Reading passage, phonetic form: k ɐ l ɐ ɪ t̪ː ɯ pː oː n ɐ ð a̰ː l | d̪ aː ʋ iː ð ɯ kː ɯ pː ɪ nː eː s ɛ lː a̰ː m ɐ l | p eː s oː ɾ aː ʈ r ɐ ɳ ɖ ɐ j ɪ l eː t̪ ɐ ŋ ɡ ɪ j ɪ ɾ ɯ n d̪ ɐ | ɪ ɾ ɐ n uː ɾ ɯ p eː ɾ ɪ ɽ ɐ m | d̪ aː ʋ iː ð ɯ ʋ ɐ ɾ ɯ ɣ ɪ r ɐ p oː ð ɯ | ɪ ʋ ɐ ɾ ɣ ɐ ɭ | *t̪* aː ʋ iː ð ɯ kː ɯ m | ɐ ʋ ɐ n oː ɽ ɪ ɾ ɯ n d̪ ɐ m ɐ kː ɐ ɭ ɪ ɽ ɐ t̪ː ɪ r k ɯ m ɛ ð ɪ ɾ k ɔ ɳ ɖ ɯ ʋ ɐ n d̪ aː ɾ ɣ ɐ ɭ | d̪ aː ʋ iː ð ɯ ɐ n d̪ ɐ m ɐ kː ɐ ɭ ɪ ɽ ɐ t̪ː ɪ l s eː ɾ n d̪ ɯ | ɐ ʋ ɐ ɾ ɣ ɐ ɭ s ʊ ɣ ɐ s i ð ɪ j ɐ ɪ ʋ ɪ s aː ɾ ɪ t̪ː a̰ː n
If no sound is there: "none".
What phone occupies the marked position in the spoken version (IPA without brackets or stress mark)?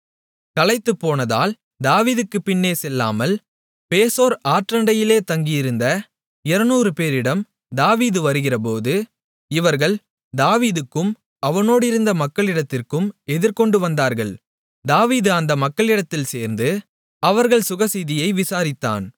d̪